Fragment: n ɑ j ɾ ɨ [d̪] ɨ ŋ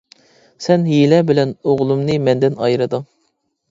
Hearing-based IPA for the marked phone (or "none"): d̪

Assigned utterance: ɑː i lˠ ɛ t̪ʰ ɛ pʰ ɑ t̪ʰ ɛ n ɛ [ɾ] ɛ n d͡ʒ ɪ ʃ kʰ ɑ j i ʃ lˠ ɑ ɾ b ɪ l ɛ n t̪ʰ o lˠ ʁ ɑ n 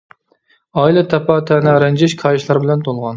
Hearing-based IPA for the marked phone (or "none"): ɾ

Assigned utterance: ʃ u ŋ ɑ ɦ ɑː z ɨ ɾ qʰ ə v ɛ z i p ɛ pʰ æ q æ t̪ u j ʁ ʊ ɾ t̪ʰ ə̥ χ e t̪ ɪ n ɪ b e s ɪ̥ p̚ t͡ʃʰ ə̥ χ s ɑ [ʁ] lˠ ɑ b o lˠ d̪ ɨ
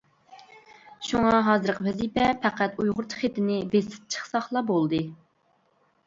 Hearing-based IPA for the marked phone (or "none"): χ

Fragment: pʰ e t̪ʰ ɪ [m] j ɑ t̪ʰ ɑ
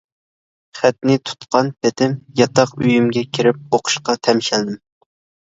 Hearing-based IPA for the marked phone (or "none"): m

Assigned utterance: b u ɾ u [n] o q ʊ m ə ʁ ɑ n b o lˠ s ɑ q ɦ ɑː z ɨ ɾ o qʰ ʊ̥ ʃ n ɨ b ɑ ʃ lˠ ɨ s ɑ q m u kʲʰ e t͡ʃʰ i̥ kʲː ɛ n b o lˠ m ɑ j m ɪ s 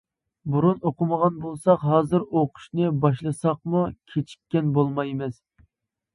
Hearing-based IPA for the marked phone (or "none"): n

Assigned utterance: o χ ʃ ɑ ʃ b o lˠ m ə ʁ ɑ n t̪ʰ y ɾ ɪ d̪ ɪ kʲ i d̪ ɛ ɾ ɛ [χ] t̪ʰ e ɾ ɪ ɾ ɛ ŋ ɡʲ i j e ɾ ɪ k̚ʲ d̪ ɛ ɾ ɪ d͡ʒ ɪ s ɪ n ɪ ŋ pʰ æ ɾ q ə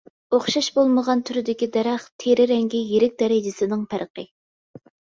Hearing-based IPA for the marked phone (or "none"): χ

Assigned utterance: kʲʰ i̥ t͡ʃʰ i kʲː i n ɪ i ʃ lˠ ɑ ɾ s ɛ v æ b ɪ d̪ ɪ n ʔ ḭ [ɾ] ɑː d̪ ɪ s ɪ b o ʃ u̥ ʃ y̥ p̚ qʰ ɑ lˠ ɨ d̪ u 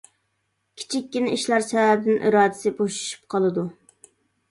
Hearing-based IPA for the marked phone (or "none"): ɾ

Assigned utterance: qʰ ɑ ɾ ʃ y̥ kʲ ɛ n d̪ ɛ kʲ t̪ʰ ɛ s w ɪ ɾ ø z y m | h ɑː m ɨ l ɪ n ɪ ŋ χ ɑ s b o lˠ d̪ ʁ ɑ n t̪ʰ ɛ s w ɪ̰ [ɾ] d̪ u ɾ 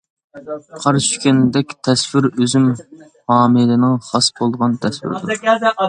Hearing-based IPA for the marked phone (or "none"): ɾ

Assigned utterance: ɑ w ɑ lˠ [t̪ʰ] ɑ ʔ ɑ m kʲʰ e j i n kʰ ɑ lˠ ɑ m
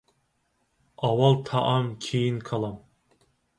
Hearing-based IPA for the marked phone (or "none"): t̪ʰ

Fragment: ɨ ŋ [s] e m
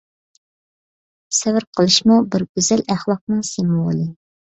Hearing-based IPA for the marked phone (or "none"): s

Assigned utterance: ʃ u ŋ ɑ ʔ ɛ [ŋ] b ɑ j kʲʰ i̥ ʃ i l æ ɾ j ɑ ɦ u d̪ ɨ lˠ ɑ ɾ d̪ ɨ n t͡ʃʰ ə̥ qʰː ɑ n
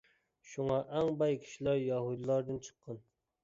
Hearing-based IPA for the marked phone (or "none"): ŋ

